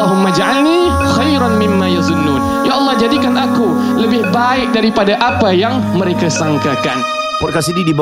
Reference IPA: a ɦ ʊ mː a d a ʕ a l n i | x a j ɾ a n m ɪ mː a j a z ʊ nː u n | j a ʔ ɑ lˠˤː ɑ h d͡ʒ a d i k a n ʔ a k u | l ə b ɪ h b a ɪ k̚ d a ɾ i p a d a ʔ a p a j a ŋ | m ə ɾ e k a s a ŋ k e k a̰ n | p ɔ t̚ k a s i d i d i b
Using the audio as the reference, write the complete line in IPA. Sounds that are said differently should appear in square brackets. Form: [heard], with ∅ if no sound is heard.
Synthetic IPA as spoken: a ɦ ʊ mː a [d͡ʒ] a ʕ a l n i | x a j ɾ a n m ɪ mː a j a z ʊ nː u n | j a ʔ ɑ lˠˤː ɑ h d͡ʒ a d i k a n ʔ a k u | l ə b ɪ h b a ɪ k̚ d a ɾ i p a d a ʔ a p a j a ŋ | m ə ɾ e k a s a ŋ k [a] k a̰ n | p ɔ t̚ k a s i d i d i b